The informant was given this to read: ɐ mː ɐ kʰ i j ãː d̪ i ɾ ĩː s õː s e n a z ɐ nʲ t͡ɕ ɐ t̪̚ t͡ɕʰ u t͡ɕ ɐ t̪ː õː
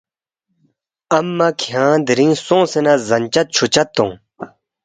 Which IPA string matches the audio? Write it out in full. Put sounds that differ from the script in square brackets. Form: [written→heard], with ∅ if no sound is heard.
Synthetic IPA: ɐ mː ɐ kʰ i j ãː d̪ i ɾ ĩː s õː s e n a z ɐ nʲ t͡ɕ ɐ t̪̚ t͡ɕʰ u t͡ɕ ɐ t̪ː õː